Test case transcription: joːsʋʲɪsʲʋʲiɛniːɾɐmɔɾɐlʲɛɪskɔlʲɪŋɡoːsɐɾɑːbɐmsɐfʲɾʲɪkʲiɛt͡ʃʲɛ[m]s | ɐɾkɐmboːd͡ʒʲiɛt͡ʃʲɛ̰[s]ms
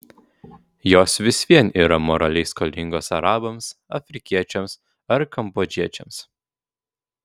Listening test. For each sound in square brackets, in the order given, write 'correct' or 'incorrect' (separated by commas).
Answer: correct, incorrect